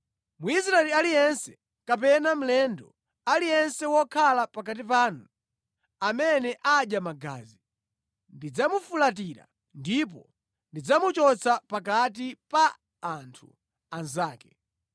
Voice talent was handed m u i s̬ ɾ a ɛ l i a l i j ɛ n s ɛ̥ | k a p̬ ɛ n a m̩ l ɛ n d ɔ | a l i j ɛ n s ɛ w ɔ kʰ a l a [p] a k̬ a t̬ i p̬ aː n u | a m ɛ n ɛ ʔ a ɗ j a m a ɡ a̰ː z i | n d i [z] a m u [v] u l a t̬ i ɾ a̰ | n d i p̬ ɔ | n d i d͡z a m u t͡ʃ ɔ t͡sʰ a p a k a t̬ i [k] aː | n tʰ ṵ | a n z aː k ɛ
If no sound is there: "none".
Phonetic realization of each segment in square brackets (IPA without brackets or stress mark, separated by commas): p, d͡z, f, p